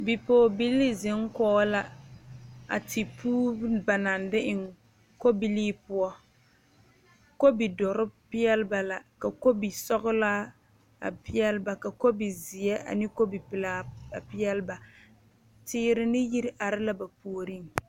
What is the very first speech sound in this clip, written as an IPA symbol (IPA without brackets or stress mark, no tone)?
b